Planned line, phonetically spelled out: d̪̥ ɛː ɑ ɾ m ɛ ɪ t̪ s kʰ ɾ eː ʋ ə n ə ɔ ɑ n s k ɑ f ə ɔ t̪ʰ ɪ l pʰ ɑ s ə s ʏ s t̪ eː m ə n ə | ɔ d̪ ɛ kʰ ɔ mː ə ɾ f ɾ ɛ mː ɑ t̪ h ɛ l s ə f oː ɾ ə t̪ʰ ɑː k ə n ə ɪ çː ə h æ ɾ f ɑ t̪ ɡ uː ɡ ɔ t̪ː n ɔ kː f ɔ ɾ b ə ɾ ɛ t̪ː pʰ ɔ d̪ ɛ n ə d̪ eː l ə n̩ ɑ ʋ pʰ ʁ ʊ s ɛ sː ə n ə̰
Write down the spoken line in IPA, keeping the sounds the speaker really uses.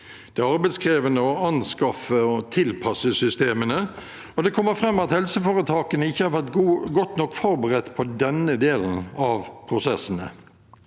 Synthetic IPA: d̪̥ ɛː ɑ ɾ b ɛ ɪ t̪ s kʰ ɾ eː ʋ ə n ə ɔ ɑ n s k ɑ f ə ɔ t̪ʰ ɪ l pʰ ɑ s ə s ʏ s t̪ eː m ə n ə | ɔ d̪ ɛ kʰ ɔ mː ə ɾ f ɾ ɛ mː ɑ t̪ h ɛ l s ə f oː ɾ ə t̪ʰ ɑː k ə n ə ɪ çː ə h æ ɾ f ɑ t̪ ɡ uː ɡ ɔ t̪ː n ɔ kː f ɔ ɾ b ə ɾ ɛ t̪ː pʰ ɔ d̪ ɛ n ə d̪ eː l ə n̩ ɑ ʋ pʰ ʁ ʊ s ɛ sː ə n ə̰